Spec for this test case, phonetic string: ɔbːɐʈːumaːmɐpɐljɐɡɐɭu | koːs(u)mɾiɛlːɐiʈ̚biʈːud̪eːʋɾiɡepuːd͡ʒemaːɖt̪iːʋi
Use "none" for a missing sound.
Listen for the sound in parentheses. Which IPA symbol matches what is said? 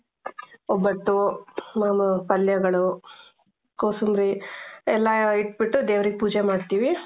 u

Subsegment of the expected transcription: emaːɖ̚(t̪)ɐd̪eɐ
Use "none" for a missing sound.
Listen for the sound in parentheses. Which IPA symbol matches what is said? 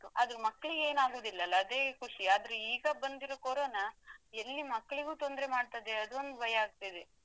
t̪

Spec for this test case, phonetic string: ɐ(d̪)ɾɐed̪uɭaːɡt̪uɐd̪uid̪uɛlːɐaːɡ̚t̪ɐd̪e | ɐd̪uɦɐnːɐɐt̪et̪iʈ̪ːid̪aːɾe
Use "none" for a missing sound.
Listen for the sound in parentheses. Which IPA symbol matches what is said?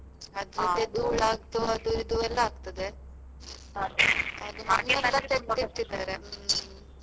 d̪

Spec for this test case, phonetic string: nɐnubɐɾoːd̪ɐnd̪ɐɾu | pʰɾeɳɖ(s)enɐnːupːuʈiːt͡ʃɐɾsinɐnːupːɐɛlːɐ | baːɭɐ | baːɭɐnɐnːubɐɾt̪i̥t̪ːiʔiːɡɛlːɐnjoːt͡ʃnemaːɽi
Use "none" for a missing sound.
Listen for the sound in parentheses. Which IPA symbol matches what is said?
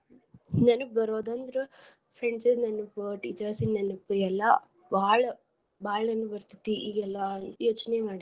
s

